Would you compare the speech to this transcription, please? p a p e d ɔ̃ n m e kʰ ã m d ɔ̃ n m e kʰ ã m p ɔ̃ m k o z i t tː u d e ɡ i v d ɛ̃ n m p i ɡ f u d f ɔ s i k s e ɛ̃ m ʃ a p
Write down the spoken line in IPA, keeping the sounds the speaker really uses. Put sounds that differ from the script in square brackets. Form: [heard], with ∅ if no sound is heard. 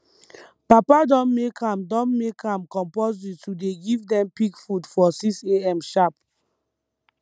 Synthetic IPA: p a p [a] d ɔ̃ n m e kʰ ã m d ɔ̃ n m e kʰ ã m [k] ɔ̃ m [p] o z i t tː u d e ɡ i v d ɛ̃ [∅] m p i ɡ f u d f ɔ s i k s e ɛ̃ m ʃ a p